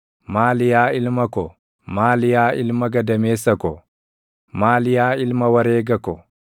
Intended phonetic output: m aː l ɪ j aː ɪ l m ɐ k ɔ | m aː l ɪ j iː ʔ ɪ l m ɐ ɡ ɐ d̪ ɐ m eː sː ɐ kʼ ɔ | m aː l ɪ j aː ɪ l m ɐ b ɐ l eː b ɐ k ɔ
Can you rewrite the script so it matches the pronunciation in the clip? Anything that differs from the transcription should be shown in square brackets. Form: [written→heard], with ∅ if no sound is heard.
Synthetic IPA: m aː l ɪ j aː ɪ l m ɐ k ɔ | m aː l ɪ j [iː→aː] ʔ ɪ l m ɐ ɡ ɐ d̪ ɐ m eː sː ɐ [kʼ→k] ɔ | m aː l ɪ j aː ɪ l m ɐ [b→w] ɐ [l→ɾ] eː [b→ɡ] ɐ k ɔ